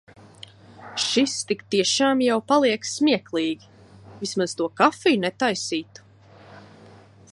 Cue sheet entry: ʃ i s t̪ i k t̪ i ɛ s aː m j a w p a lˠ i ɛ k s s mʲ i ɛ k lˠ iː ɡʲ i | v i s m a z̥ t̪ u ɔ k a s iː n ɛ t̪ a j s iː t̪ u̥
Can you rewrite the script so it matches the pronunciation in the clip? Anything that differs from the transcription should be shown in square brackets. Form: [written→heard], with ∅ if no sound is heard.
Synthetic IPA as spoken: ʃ i s t̪ i k t̪ i ɛ [s→ʃ] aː m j a w p a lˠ i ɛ k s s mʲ i ɛ k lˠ iː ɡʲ i | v i s m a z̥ t̪ u ɔ k a [s→f] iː n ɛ t̪ a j s iː t̪ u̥

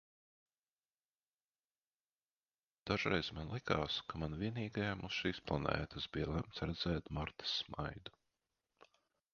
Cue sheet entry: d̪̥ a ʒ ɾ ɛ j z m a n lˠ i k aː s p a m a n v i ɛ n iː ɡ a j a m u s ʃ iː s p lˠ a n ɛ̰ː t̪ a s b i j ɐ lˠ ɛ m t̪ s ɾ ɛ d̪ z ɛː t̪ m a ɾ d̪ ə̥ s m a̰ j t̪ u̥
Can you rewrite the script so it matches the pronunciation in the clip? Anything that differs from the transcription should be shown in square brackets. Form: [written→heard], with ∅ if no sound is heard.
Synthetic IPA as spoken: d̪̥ a ʒ ɾ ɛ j z m a n lˠ i k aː s [p→k] a m a n v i ɛ n iː ɡ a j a m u s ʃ iː s p lˠ a n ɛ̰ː t̪ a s b i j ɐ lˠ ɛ m t̪ s ɾ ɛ d̪ z ɛː t̪ m a ɾ [d̪→t̪] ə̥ s m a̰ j [t̪→d̪] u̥

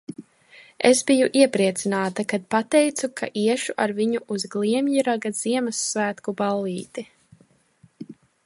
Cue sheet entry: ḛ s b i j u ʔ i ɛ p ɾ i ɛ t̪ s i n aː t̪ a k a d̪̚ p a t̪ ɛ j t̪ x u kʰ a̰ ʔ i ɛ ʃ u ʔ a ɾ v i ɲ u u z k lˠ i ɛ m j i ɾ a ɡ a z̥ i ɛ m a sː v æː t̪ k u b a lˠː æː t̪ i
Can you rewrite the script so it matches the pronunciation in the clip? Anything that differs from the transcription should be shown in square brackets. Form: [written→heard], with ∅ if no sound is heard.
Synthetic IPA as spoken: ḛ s b i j u ʔ i ɛ p ɾ i ɛ t̪ s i n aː t̪ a k a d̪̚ p a t̪ ɛ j t̪ [x→s] u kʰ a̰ ʔ i ɛ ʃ u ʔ a ɾ v i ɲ u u z [k→ɡ] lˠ i ɛ m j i ɾ a ɡ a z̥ i ɛ m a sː v æː t̪ k u b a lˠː [æː→iː] t̪ i

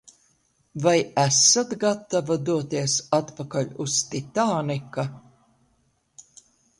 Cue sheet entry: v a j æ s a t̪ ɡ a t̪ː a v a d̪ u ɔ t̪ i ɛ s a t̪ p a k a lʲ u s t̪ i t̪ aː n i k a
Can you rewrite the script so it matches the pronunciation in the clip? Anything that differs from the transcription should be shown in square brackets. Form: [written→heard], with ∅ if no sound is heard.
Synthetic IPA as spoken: v a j æ s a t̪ ɡ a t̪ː a v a d̪ u ɔ t̪ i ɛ s a t̪ p a k a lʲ u s t̪ i t̪ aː n i k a

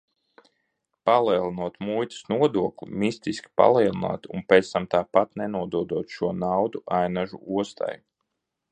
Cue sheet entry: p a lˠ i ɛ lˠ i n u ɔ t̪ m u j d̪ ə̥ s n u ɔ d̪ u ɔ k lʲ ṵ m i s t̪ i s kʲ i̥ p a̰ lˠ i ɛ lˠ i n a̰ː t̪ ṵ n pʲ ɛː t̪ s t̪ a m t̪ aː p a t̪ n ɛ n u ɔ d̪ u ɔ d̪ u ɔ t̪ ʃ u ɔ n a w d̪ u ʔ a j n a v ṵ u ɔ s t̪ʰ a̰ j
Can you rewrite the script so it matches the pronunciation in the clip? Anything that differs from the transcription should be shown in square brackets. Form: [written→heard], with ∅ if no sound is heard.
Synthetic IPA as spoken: p a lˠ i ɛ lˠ i n u ɔ t̪ m u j [d̪→t̪] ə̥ s n u ɔ d̪ u ɔ k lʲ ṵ m i s t̪ i s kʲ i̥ p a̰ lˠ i ɛ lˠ i n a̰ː t̪ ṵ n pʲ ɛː t̪ s t̪ a m t̪ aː p a t̪ n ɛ n u ɔ d̪ u ɔ d̪ u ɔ t̪ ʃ u ɔ n a w d̪ u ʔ a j n a [v→ʒ] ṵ u ɔ s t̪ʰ a̰ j

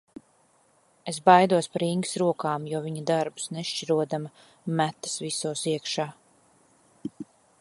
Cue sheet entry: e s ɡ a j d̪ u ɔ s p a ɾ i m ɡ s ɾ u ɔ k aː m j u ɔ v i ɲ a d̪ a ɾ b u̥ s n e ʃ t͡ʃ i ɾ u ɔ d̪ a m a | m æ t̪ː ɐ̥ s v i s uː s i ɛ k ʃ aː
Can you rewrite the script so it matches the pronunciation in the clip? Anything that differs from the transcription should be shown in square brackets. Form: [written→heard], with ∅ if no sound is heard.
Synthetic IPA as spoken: e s [ɡ→b] a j d̪ u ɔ s p a ɾ i [m→ŋ] ɡ s ɾ u ɔ k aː m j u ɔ v i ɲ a d̪ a ɾ b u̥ s n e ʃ t͡ʃ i ɾ u ɔ d̪ a m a | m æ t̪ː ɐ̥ s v i s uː s i ɛ k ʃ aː

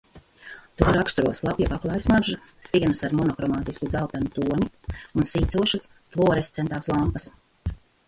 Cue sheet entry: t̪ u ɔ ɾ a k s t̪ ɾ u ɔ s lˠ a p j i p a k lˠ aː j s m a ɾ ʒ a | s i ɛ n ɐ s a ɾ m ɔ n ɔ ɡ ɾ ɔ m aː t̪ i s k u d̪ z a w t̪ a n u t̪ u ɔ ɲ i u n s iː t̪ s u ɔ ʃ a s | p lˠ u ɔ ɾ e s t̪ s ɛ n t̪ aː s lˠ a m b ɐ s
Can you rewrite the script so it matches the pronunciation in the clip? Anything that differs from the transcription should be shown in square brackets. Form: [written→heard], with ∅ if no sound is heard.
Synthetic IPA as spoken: t̪ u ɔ ɾ a k s t̪ ɾ u ɔ s lˠ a p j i p a k lˠ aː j s m a ɾ ʒ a | s i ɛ n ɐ s a ɾ m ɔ n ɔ [ɡ→k] ɾ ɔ m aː t̪ i s k u d̪ z a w t̪ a n u t̪ u ɔ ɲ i u n s iː t̪ s u ɔ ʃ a s | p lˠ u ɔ ɾ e s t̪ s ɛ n t̪ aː s lˠ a m [b→p] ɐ s

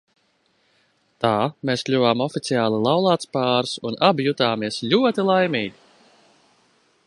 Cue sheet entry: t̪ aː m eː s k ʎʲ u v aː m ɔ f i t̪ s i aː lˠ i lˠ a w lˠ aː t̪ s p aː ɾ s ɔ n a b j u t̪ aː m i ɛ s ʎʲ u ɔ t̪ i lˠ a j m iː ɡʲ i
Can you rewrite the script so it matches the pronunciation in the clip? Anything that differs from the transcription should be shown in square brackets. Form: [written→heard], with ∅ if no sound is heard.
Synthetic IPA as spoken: t̪ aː m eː s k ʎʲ u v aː m ɔ f i t̪ s i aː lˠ i lˠ a w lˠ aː t̪ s p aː ɾ s [ɔ→u] n a b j u t̪ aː m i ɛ s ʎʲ u ɔ t̪ i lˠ a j m iː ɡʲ i

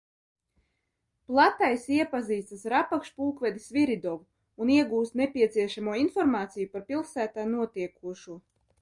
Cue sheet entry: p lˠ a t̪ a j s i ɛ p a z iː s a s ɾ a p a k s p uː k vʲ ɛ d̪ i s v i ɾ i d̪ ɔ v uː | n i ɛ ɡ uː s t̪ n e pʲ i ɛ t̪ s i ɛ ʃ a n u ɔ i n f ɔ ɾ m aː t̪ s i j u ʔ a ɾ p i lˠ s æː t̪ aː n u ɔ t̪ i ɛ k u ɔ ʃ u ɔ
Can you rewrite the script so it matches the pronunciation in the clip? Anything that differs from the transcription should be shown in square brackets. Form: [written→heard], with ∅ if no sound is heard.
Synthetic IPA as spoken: p lˠ a t̪ a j s i ɛ p a z iː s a s ɾ a p a k [s→ʃ] p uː k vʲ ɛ d̪ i s v i ɾ i d̪ ɔ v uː | n i ɛ ɡ uː s t̪ n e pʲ i ɛ t̪ s i ɛ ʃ a [n→m] u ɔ i n f ɔ ɾ m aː t̪ s i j u [ʔ→p] a ɾ p i lˠ s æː t̪ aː n u ɔ t̪ i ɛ k u ɔ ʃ u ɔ

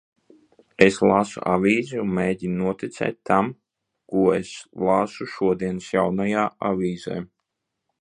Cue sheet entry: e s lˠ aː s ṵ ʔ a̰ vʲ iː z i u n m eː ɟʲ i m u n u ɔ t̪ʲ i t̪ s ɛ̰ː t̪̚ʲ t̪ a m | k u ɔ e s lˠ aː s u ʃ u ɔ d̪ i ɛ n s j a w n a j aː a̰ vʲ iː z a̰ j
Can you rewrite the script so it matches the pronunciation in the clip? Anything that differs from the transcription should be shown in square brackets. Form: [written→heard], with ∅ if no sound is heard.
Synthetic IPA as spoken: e s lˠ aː s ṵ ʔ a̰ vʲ iː z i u n m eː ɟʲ i [m→n] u n u ɔ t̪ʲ i t̪ s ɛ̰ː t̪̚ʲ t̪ a m | k u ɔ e s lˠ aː s u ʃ u ɔ d̪ i ɛ n s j a w n a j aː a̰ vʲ iː z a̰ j

